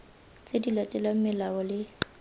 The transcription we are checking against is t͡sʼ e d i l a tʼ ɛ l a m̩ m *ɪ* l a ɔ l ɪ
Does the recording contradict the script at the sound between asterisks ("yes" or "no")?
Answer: no